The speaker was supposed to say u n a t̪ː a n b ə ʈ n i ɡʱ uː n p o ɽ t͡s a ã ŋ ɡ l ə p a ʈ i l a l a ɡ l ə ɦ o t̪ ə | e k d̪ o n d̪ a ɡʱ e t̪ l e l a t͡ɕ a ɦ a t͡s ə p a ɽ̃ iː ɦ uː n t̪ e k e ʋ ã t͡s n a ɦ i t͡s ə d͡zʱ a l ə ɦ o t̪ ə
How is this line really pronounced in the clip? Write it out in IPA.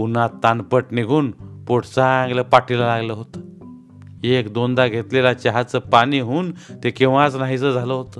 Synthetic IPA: u n a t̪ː a n p ə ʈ n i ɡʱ uː n p o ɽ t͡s a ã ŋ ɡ l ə p a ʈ i l a l a ɡ l ə ɦ o t̪ ə | e k d̪ o n d̪ a ɡʱ e t̪ l e l a t͡ɕ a ɦ a t͡s ə p a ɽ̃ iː ɦ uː n t̪ e k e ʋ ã t͡s n a ɦ i t͡s ə d͡zʱ a l ə ɦ o t̪ ə